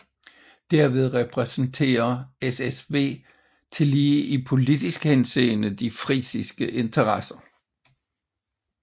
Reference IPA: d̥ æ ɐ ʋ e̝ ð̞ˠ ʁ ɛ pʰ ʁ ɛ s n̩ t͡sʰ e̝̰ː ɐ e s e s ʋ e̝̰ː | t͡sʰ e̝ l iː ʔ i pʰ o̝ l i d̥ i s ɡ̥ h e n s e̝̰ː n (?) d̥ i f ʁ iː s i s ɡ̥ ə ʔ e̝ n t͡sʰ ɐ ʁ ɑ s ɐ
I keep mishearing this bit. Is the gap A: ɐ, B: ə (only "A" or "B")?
B